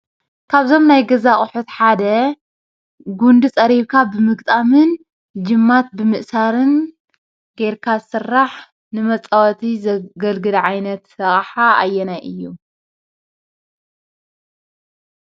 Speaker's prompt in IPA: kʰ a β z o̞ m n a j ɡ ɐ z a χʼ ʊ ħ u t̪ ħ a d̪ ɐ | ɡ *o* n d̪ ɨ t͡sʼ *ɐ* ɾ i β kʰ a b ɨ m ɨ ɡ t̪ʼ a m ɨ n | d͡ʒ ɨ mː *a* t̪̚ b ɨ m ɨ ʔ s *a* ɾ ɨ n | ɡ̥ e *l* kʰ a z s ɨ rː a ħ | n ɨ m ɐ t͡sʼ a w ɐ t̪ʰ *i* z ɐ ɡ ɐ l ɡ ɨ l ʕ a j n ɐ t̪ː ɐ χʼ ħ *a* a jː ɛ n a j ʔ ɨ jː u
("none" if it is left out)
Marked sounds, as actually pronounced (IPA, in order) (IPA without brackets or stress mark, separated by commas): u, ɐ, a, a, ɾ, i, a